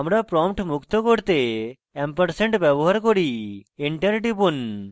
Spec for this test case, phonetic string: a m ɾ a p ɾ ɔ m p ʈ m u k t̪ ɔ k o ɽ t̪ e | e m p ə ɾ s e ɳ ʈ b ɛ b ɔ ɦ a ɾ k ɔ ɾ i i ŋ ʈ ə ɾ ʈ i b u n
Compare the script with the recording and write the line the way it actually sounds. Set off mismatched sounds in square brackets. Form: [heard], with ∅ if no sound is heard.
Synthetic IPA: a m ɾ a p ɾ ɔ m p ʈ m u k t̪ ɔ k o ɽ t̪ e | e m p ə ɾ s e ɳ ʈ b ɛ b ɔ ɦ a ɾ k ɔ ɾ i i [ɳ] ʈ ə ɾ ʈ i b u n